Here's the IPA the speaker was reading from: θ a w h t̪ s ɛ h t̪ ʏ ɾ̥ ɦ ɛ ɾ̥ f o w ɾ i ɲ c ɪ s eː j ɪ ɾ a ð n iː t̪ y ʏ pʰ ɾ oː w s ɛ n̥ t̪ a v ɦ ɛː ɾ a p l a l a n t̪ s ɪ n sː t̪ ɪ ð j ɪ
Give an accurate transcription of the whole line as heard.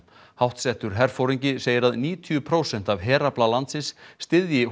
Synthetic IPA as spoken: h a w h t̪ s ɛ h t̪ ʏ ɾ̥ ɦ ɛ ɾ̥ f o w ɾ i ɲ c ɪ s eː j ɪ ɾ a ð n iː t̪ʰ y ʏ pʰ ɾ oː w s ɛ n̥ t̪ a v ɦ ɛː ɾ a p l a l a n t̪ s ɪ n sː t̪ ɪ ð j ɪ